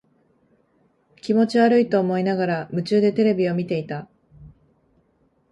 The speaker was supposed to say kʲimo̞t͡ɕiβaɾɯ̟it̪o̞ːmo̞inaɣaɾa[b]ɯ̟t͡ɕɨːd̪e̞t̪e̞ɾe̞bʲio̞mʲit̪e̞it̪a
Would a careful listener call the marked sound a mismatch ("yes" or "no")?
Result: yes